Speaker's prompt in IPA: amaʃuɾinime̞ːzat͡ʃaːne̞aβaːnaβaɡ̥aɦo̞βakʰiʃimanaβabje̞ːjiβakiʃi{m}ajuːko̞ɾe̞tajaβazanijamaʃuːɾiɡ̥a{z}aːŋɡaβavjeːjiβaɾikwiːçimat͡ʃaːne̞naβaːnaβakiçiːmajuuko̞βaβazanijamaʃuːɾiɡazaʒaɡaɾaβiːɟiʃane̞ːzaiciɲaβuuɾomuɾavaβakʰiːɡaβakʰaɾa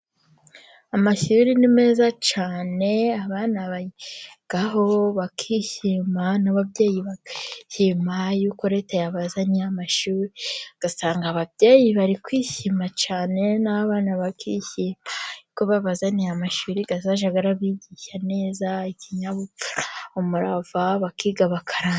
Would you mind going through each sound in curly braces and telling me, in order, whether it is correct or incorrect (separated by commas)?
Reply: correct, incorrect